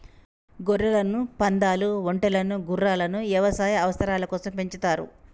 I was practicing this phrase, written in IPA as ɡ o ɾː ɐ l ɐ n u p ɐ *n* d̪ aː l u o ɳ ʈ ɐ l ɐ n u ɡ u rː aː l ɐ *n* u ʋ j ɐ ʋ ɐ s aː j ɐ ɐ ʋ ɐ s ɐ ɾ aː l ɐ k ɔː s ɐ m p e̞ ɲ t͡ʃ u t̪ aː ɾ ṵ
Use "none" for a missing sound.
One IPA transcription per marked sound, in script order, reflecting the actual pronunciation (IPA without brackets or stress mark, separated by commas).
n, n